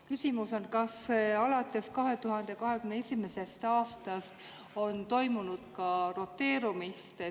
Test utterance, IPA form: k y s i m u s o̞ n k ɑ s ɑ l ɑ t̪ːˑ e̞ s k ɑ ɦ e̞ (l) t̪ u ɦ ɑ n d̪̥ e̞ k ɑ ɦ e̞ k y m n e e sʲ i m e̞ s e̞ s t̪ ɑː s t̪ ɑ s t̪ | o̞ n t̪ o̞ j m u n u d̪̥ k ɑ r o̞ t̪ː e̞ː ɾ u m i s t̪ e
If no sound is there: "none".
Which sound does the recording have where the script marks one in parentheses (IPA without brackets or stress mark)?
none